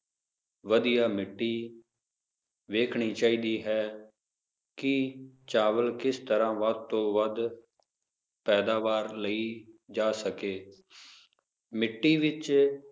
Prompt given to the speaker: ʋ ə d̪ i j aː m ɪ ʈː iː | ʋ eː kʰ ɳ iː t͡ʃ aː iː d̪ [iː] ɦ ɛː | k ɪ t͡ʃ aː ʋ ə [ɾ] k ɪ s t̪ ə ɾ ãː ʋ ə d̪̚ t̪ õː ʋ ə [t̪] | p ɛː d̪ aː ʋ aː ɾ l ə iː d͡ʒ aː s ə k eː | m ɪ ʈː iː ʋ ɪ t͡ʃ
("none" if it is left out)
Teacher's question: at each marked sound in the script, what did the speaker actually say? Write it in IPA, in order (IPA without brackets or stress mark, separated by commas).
iː, l, d̪